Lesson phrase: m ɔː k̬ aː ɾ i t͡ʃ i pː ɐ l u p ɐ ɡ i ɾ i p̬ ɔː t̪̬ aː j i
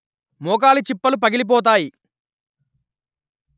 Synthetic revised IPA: m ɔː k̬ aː l i t͡ʃ i pː ɐ l u p ɐ ɡ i l i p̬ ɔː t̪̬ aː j i